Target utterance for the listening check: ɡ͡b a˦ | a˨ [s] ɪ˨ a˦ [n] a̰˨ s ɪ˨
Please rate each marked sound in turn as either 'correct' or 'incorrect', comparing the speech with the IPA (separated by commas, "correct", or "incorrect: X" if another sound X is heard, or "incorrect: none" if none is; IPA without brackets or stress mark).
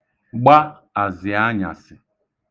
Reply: incorrect: z, incorrect: ɲ